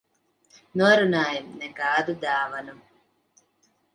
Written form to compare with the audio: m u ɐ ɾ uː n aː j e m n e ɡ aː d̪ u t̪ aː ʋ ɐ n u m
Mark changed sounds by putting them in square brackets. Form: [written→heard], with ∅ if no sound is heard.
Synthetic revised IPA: [m→n] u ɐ ɾ [uː→u] n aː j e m n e ɡ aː d̪ u [t̪→d̪] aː ʋ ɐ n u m